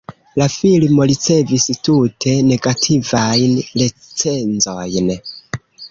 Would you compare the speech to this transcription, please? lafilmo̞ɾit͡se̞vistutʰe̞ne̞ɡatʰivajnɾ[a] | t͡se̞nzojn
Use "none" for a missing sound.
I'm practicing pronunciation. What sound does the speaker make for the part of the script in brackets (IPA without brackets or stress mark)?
e